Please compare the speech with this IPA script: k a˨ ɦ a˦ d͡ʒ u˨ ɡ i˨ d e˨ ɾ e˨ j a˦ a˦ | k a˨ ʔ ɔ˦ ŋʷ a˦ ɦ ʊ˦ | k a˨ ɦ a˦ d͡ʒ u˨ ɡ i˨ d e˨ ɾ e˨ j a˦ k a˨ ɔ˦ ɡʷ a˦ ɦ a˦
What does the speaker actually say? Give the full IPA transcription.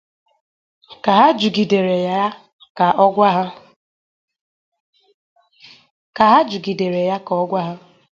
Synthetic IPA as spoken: k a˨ ɦ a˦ d͡ʒ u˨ ɡ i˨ d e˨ ɾ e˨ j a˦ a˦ | k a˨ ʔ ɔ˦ ɡʷ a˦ ɦ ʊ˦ | k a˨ ɦ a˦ d͡ʒ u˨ ɡ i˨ d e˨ ɾ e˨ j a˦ k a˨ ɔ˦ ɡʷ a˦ ɦ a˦